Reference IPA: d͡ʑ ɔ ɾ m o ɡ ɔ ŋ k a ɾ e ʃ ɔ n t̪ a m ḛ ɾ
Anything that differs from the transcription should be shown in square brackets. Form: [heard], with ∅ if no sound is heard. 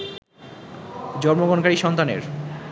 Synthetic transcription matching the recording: d͡ʑ ɔ ɾ m o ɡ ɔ [n] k a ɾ [i] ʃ ɔ n t̪ a [n] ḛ ɾ